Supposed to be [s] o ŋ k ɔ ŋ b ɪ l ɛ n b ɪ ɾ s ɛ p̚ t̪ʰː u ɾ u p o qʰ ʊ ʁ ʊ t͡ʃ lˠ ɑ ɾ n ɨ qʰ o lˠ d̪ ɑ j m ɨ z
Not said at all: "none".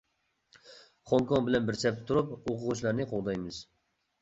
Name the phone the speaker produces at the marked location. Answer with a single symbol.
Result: χ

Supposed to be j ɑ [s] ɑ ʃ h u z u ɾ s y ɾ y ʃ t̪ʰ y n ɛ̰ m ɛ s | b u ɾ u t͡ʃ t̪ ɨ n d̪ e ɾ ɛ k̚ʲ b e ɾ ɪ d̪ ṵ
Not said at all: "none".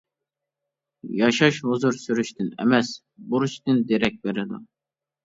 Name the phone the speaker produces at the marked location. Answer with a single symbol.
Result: ʃ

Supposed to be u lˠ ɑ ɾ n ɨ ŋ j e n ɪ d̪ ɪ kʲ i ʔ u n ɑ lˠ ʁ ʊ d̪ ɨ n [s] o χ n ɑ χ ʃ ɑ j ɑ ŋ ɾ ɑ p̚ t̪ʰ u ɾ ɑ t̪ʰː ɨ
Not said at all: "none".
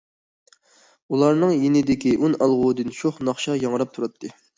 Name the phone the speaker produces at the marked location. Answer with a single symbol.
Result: ʃ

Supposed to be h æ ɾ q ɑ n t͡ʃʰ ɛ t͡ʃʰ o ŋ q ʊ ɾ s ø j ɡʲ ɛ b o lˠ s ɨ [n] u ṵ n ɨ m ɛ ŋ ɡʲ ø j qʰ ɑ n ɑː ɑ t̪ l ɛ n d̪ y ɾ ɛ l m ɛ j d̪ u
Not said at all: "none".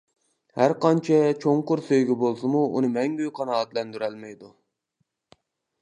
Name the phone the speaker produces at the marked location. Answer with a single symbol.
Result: m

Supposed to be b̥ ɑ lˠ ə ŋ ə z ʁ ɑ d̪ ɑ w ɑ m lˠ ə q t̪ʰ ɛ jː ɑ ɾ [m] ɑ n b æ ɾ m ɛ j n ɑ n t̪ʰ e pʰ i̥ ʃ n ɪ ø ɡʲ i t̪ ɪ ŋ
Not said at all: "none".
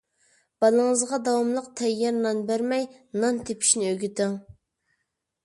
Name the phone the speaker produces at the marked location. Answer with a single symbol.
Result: n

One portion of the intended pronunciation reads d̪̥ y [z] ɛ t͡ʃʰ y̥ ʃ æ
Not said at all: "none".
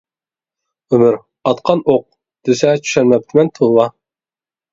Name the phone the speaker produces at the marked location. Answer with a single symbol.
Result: s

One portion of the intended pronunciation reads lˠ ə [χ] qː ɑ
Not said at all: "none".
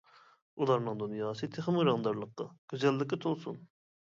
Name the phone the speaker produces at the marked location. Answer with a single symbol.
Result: none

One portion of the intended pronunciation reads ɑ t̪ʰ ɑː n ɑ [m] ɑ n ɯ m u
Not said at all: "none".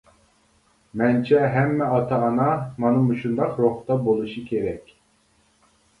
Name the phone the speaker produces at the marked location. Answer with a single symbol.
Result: m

